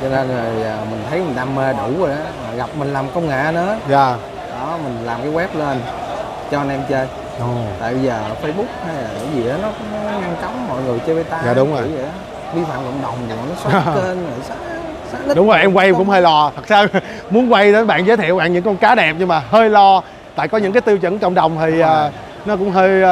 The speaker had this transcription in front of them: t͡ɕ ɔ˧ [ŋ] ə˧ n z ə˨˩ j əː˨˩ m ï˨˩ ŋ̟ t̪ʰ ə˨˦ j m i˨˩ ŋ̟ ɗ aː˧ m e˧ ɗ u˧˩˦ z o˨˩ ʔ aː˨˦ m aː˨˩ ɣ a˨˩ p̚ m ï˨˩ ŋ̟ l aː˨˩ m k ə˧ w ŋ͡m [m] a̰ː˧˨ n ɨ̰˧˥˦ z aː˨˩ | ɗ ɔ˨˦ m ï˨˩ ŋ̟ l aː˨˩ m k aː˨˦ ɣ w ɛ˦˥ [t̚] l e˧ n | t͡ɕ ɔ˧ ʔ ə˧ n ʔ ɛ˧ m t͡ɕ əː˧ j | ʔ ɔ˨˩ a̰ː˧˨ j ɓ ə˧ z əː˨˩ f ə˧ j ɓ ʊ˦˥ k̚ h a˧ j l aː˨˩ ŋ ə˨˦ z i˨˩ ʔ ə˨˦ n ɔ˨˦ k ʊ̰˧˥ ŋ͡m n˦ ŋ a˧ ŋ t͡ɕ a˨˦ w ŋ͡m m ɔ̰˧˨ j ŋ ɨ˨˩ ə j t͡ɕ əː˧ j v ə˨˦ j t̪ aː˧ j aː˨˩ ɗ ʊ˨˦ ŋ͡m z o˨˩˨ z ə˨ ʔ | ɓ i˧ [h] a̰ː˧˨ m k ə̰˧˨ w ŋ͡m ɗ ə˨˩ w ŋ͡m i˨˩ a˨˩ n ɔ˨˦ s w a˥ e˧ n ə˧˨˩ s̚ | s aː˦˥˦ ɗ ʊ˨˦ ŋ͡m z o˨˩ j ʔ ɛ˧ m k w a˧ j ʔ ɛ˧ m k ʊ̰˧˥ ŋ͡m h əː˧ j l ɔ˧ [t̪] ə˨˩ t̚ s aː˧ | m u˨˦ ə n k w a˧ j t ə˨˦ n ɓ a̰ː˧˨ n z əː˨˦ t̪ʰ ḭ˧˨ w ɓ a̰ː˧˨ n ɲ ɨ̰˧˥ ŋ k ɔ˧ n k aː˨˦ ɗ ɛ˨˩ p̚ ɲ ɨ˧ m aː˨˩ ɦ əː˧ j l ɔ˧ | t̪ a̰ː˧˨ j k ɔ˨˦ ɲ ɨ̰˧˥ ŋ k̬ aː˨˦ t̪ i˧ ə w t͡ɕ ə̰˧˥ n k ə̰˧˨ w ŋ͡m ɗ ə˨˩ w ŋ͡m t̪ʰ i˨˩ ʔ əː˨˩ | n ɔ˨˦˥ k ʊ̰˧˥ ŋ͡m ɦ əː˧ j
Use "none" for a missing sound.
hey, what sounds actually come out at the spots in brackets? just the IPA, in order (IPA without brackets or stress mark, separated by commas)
n, ŋ, p̚, f, t̪ʰ